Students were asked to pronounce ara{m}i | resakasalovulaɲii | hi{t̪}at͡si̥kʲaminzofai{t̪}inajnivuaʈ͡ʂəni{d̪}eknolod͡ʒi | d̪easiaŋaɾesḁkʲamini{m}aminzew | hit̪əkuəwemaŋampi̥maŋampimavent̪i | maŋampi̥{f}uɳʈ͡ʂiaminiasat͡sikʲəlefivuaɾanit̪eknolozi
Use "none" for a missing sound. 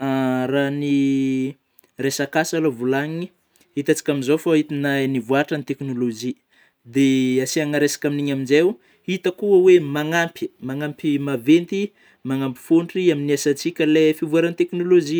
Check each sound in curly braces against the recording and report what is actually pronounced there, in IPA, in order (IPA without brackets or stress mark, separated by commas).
n, t̪, t̪, t̪, ɲ, f